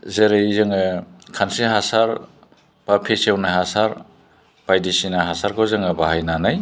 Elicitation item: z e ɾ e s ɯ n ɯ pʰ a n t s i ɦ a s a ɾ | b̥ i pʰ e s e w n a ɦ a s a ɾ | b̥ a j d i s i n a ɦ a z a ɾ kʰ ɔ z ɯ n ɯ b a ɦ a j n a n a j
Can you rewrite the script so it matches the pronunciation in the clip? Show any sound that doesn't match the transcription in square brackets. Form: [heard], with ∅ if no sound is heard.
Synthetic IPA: z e ɾ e [z] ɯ [ŋ] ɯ [kʰ] a n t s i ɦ a s a ɾ | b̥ [a] pʰ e s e w n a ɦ a s a ɾ | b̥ a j d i s i n a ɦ a [s] a ɾ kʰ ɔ z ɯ [ŋ] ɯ b a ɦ a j n a n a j